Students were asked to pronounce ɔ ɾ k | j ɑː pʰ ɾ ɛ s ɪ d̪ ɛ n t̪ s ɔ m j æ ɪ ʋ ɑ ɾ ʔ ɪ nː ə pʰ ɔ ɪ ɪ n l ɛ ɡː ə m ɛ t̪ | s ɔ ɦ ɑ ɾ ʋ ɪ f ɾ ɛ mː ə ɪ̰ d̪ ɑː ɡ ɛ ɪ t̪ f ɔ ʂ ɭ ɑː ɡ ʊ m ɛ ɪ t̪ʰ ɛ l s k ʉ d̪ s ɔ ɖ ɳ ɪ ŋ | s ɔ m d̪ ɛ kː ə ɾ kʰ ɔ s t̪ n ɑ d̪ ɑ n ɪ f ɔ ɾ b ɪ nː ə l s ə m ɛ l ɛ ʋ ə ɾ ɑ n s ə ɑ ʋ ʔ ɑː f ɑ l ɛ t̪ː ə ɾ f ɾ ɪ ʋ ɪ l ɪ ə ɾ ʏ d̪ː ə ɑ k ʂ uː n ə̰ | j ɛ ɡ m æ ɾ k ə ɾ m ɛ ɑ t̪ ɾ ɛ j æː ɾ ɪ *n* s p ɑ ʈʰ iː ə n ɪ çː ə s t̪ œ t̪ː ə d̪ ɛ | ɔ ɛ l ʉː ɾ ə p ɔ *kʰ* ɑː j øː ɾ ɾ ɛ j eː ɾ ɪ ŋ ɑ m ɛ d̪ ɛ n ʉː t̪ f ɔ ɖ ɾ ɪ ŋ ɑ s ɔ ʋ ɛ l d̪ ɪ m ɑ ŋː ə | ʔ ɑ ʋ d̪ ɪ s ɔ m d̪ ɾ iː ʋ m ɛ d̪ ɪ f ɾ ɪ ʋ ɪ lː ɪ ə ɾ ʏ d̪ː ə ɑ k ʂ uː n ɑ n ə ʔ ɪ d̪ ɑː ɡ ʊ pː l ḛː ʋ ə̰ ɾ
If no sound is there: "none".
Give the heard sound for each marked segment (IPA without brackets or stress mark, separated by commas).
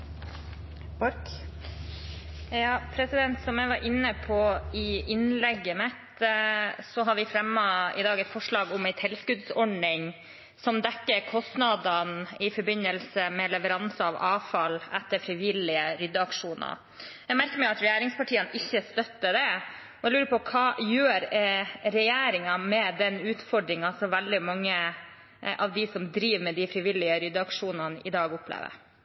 ŋ, kʰ